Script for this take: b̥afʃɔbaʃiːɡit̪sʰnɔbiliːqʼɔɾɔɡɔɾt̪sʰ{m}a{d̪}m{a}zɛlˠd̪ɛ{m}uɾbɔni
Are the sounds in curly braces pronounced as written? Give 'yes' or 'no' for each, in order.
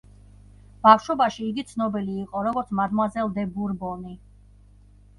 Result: yes, yes, yes, no

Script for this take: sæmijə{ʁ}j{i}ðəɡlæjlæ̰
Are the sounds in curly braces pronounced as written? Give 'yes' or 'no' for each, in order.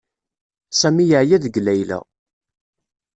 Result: no, no

